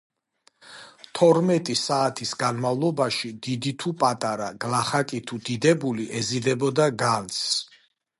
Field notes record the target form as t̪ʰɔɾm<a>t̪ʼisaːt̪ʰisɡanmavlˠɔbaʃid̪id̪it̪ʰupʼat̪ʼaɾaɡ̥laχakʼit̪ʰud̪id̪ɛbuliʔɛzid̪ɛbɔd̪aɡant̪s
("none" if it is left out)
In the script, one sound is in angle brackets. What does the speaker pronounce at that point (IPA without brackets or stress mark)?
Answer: ɛ